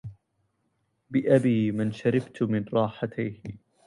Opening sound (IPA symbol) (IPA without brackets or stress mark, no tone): b